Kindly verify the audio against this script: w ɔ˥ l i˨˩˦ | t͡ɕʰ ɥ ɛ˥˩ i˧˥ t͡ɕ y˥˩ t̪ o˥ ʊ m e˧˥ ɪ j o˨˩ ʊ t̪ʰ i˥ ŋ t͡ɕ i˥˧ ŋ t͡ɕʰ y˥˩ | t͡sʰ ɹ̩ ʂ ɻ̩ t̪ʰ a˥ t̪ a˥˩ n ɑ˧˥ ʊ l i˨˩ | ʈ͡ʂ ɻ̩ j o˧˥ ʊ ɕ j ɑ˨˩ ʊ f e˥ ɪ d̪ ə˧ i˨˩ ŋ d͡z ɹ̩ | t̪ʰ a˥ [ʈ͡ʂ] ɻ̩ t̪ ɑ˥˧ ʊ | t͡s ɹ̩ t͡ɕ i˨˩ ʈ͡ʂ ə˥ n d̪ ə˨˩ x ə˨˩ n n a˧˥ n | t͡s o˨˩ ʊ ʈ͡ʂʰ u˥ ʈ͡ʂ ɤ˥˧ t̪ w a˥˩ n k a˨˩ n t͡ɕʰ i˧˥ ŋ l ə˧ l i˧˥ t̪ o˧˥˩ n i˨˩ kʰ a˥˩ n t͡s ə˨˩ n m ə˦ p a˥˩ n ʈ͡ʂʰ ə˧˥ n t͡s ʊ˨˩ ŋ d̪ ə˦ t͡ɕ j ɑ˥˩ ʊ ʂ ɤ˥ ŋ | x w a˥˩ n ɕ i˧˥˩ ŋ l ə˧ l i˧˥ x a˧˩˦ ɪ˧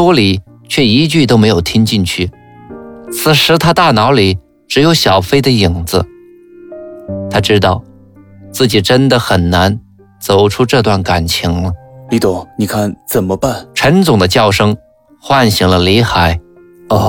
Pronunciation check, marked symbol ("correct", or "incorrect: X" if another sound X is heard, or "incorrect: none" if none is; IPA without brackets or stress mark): correct